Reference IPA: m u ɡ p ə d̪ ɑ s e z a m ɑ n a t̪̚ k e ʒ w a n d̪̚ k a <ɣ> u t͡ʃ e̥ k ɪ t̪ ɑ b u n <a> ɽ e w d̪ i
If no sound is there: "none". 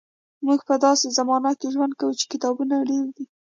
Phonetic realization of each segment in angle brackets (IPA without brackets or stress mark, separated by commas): w, a